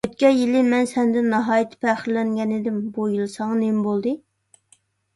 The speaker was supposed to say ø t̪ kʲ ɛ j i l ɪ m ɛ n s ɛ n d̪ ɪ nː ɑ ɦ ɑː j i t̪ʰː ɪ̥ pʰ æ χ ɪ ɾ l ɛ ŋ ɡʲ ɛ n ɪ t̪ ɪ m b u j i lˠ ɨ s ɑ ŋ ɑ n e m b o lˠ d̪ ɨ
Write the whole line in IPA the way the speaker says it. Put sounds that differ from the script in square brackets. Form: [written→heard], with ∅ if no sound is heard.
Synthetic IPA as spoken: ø t̪ kʲ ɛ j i l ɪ m ɛ n s ɛ n d̪ ɪ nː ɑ ɦ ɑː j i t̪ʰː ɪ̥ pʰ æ χ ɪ ɾ l ɛ ŋ ɡʲ ɛ n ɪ [t̪→d̪] ɪ m b u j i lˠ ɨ s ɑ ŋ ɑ n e m b o lˠ d̪ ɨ